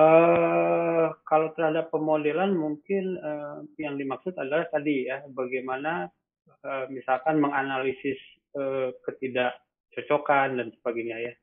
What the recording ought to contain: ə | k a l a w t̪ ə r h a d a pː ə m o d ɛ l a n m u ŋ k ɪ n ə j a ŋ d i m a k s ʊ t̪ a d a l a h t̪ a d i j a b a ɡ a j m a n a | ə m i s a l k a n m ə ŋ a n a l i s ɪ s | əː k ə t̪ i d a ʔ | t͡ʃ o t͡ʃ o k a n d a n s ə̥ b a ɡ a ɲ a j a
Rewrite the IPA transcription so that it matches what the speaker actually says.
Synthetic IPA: ə | k a l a w t̪ ə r h a d a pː ə m o d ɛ l a n m u ŋ k ɪ n ə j a ŋ d i m a k s ʊ t̪ a d a l a h t̪ a d i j a b a ɡ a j m a n a | ə m i s a l k a n m ə ŋ a n a l i s ɪ s | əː k ə t̪ i d a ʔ | t͡ʃ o t͡ʃ o k a n d a n s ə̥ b a ɡ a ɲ a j a